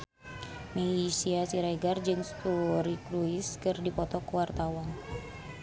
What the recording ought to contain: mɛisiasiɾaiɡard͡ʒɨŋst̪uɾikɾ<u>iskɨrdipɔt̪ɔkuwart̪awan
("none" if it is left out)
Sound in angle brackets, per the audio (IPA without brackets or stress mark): u